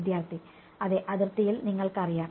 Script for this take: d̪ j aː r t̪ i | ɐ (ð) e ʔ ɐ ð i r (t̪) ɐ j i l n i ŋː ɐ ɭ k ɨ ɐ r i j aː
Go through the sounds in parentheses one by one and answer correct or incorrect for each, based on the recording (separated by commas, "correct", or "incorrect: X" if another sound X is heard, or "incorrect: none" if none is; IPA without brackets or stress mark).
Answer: correct, correct